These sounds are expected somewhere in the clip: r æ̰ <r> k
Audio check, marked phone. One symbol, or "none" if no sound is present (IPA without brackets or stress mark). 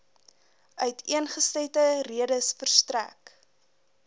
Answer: none